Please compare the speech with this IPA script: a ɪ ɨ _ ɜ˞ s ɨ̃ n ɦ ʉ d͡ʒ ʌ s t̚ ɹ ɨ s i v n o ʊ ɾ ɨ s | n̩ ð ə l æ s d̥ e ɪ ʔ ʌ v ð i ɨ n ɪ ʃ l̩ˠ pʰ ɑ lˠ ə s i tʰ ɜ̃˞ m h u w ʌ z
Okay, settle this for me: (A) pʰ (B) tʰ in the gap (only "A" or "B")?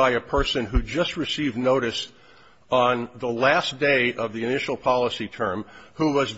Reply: A